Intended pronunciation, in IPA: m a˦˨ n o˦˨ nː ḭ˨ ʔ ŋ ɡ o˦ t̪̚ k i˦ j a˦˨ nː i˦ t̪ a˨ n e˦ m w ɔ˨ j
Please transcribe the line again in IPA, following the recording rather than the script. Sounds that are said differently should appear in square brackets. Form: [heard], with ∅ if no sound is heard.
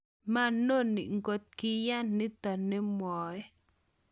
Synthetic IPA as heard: m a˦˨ n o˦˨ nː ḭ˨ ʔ ŋ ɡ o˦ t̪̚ k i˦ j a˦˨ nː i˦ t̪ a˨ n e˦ m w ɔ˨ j